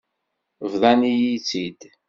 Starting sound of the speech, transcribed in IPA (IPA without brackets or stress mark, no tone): v